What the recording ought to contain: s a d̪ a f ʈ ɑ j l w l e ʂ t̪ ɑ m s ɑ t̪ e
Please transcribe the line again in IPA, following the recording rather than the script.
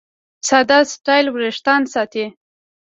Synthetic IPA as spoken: s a d̪ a s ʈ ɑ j l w ɾ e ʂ t̪ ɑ n s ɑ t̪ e